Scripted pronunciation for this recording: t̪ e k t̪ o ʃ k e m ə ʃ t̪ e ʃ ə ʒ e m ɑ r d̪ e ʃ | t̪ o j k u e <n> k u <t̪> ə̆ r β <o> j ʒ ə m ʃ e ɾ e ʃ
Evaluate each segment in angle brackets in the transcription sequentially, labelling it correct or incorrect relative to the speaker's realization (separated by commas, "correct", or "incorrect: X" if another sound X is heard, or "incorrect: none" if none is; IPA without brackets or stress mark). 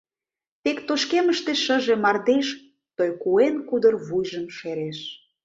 correct, incorrect: d̪, incorrect: u